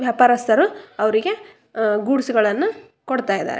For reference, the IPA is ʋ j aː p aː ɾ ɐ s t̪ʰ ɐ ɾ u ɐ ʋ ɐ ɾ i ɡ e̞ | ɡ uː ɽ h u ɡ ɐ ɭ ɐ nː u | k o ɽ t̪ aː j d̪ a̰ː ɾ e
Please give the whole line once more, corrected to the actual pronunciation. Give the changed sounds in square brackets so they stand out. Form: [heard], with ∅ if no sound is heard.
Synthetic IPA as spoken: ʋ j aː p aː ɾ ɐ s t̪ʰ ɐ ɾ u ɐ ʋ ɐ ɾ i ɡ e̞ | ɡ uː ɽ [s] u ɡ ɐ ɭ ɐ nː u | k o ɽ t̪ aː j d̪ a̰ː ɾ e